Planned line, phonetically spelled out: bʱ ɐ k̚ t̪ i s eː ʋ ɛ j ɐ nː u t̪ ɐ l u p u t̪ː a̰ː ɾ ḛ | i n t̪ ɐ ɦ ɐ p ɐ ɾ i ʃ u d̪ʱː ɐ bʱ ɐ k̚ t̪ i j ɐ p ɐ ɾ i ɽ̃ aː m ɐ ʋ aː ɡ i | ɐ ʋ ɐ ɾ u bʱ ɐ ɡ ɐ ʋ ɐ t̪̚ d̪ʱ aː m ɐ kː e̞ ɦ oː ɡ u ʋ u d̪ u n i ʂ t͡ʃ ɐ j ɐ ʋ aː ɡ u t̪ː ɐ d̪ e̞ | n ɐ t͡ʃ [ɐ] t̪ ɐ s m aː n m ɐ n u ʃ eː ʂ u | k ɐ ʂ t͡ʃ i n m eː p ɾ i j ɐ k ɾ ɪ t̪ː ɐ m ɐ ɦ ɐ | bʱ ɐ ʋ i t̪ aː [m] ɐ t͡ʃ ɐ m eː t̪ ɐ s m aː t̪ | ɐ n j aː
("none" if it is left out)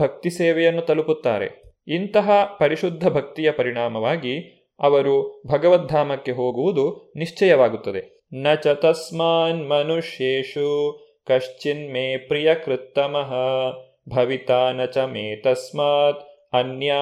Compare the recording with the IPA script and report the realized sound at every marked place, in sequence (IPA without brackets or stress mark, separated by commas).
ɐ, n